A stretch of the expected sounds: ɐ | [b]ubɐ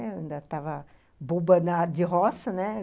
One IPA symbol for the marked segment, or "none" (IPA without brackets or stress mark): b